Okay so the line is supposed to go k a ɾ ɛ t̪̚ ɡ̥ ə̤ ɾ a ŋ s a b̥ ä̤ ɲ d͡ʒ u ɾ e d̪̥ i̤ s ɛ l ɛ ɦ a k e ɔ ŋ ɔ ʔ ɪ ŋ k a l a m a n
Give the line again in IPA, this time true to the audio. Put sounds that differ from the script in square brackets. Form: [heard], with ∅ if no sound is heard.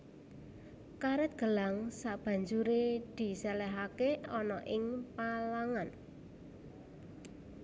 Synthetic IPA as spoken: k a ɾ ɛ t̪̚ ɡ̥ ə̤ [l] a ŋ s a b̥ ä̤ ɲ d͡ʒ u ɾ e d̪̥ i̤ s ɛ l ɛ ɦ a k e ɔ [n] ɔ ʔ ɪ ŋ [p] a l a [ŋ] a n